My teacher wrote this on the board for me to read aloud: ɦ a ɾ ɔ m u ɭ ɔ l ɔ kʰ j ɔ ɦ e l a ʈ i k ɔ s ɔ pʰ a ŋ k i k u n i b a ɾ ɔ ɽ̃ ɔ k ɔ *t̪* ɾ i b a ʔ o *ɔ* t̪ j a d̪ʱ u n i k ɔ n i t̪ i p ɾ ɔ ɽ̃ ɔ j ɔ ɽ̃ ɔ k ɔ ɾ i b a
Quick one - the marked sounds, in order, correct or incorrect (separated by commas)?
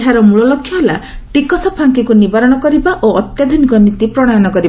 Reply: incorrect, correct